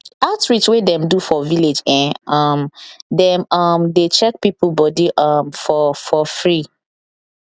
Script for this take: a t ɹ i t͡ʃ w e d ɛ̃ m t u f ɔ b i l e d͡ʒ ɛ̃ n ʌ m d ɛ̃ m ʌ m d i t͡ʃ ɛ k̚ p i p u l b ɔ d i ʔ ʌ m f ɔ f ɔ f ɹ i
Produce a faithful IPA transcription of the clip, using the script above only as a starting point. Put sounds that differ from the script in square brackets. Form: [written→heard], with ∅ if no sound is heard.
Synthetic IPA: a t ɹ i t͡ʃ w e d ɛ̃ m [t→d] u f ɔ [b→v] i l e d͡ʒ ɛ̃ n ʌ m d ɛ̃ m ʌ m d [i→e] t͡ʃ ɛ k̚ p i p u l b ɔ d i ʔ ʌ m f ɔ f ɔ f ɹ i

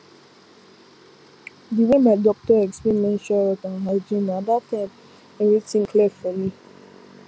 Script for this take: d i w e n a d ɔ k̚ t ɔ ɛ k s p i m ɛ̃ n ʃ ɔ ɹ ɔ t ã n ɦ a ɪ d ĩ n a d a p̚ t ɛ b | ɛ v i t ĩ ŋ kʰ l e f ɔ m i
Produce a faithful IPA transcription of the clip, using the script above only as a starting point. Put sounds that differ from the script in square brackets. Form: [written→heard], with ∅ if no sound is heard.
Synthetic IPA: d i w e [n→m] a d ɔ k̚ t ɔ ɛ k s p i m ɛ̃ n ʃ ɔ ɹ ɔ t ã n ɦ a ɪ [d→d͡ʒ] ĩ n a d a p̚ t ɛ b | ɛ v i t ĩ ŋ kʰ l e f ɔ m i

